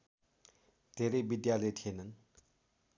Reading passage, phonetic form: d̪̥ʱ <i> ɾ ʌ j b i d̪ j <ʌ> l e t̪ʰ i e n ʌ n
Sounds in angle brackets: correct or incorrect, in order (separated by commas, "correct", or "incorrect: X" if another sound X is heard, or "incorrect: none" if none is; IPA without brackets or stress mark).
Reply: incorrect: e, incorrect: a